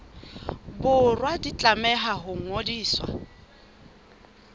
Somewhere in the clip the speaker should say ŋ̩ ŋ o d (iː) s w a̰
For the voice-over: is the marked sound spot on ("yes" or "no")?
yes